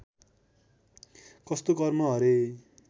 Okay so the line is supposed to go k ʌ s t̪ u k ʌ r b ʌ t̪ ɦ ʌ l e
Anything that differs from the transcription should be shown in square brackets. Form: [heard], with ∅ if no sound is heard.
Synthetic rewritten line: k ʌ s t̪ [o] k ʌ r [m] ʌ [∅] ɦ ʌ [ɾ] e